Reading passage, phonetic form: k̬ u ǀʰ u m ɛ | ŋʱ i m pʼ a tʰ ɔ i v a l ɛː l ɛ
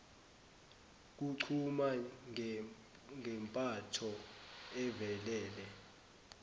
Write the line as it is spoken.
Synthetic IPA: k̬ u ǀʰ u m a | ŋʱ ɛ m pʼ a tʰ ɔ ɛ v ɛ l ɛː l ɛ